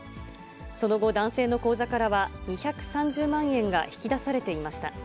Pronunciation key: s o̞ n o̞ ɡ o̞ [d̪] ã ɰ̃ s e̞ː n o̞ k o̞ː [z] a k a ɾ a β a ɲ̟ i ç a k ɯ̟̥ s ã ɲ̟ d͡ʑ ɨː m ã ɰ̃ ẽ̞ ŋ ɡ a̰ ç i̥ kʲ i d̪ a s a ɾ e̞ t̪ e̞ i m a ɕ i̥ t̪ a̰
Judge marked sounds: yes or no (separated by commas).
yes, yes